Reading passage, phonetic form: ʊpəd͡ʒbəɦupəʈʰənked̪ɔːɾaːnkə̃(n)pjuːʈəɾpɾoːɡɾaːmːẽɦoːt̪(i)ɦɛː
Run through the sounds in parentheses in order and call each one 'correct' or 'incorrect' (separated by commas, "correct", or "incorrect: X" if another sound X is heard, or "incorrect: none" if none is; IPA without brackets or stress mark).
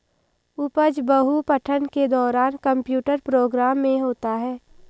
incorrect: m, incorrect: a